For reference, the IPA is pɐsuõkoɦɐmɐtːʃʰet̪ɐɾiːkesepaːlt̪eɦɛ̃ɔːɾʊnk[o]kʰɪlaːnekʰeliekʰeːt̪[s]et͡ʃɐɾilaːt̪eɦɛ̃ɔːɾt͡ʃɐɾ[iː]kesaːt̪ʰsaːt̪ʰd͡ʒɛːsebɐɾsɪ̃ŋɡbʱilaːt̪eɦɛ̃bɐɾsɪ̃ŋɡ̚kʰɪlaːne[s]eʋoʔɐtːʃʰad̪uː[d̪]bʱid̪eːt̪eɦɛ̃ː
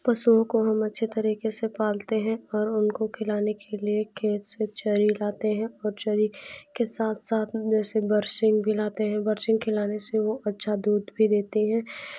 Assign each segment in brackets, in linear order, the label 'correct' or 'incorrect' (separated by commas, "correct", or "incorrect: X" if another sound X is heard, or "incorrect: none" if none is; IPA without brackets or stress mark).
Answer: correct, correct, incorrect: i, correct, correct